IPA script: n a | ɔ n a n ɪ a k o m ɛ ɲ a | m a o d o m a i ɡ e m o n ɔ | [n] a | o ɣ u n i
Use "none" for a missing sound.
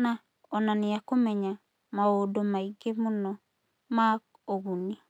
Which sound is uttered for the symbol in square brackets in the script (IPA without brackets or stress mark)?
m